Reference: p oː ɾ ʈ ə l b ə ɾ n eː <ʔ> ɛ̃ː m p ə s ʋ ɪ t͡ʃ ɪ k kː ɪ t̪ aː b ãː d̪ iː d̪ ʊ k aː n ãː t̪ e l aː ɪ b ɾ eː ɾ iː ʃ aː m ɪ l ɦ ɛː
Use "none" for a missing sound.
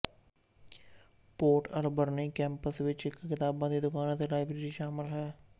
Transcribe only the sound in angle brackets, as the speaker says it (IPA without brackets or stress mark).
k